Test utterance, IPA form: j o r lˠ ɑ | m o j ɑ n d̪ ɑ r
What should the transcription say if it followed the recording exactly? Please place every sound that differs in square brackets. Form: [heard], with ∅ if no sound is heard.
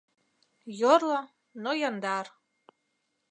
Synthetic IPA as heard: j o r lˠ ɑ | [n] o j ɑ n d̪ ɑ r